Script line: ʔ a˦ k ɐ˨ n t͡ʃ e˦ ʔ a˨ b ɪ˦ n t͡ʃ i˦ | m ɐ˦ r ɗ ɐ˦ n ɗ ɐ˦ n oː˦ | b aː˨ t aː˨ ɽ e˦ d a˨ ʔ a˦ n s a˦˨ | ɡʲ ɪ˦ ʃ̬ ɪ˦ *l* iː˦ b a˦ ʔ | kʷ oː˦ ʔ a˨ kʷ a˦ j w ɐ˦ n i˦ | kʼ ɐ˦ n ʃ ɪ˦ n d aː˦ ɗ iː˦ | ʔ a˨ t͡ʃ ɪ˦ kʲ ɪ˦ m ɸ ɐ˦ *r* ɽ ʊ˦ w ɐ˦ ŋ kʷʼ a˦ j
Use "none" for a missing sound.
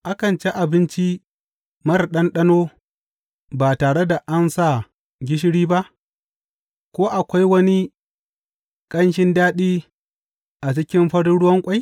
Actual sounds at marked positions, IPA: ɽ, ɽ

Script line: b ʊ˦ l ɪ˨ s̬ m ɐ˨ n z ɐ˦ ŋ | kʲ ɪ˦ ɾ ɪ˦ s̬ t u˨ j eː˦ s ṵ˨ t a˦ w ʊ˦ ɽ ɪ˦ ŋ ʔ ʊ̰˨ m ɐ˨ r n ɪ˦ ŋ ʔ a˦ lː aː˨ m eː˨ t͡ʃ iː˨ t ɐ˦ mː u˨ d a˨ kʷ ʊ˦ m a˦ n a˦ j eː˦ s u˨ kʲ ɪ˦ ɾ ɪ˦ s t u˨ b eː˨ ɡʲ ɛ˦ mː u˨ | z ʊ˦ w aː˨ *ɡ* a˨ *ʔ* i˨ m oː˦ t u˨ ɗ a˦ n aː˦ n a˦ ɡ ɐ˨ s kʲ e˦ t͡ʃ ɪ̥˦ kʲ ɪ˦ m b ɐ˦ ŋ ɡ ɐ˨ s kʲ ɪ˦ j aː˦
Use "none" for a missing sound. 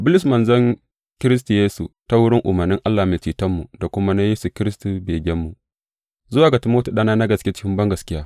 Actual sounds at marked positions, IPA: ɡ, t

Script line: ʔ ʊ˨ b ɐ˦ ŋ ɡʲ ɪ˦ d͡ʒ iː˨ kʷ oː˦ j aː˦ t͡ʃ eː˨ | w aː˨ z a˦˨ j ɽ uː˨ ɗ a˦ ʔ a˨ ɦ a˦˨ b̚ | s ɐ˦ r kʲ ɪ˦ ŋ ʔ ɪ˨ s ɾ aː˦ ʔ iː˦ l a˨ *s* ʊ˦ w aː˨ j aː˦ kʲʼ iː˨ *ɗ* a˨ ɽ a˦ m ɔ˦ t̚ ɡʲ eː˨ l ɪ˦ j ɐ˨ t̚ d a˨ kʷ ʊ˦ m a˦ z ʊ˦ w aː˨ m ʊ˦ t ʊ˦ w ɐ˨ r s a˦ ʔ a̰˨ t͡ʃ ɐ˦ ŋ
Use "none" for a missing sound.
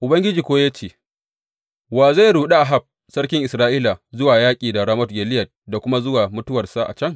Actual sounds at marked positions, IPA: z, d

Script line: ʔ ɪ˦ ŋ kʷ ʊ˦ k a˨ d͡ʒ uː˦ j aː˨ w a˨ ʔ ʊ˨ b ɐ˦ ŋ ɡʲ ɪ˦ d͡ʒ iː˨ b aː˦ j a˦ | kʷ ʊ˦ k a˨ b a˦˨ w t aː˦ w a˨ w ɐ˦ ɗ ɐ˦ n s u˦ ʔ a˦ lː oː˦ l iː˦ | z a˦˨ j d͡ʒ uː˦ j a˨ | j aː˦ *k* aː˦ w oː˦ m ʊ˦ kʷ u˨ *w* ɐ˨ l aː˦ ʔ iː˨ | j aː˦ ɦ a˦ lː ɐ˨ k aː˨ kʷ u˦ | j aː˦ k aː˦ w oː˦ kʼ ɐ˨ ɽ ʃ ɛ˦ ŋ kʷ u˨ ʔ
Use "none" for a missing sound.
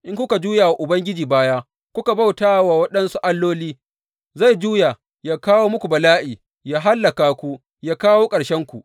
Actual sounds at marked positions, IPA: k, b

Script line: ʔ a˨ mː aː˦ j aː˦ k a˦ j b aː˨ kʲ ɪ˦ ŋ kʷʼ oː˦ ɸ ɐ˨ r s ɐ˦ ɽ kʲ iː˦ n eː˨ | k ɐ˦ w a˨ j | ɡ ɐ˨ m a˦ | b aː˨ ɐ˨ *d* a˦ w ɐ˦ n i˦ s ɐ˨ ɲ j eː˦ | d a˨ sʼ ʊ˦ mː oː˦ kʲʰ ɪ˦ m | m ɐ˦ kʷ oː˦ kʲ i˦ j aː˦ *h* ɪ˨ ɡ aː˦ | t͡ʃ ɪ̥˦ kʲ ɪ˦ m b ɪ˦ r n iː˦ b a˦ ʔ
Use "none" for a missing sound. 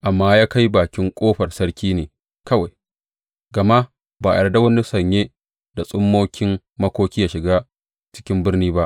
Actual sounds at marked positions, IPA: d, ʃ

